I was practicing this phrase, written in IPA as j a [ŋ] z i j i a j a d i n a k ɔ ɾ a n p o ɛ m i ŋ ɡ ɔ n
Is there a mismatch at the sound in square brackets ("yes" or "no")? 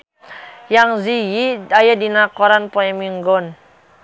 no